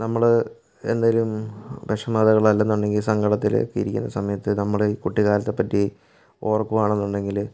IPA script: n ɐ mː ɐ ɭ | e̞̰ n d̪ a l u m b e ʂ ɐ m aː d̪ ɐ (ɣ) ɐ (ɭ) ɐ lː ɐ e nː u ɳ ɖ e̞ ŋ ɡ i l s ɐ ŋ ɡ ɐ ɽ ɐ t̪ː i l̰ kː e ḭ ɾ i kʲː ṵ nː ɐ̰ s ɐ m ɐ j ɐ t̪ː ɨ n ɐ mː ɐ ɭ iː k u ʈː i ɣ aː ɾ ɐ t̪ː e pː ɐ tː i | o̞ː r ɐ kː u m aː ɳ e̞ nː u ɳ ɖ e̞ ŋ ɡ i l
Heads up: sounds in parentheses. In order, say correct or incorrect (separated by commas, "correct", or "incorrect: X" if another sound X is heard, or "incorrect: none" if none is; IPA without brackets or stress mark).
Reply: correct, correct